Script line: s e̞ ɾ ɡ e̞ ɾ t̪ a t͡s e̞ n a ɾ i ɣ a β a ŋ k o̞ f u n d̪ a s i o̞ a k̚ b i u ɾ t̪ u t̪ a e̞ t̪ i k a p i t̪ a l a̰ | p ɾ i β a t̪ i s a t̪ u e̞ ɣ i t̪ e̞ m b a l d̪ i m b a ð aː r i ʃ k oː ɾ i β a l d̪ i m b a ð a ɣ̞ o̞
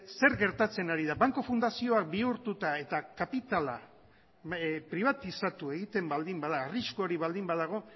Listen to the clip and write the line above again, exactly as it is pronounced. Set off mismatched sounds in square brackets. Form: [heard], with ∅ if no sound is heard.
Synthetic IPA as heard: s e̞ ɾ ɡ e̞ ɾ t̪ a t͡s e̞ n a ɾ i [ð] a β a ŋ k o̞ f u n d̪ a s i o̞ a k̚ b i u ɾ t̪ u t̪ a e̞ t̪ [a] k a p i t̪ a l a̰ | p ɾ i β a t̪ i s a t̪ u e̞ ɣ i t̪ e̞ m b a l d̪ i m b a ð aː r i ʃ k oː ɾ i β a l d̪ i m b a ð a ɣ̞ o̞